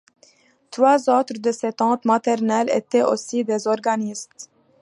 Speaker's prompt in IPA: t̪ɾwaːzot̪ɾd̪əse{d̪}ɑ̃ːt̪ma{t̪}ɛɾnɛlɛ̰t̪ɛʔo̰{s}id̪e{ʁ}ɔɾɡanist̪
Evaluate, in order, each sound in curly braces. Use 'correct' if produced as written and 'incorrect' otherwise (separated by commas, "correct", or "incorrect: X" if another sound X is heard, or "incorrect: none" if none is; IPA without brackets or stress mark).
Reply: incorrect: t̪, correct, correct, incorrect: z